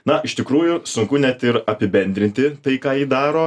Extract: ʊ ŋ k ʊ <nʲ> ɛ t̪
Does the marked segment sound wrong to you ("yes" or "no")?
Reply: no